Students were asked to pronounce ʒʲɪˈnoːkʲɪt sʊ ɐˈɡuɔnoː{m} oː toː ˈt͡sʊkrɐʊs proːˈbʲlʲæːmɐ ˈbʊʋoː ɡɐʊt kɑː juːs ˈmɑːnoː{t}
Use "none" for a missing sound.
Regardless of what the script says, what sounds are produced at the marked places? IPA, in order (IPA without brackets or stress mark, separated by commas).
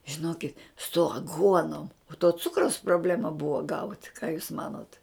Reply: m, t